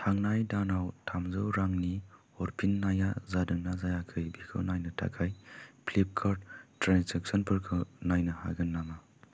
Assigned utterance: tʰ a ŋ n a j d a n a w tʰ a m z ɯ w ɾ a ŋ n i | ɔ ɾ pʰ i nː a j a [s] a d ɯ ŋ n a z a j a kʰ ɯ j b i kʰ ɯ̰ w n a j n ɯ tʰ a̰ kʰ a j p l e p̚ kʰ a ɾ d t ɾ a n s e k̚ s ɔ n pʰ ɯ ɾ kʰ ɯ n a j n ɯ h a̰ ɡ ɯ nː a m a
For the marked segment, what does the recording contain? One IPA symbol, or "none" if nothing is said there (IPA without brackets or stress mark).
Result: z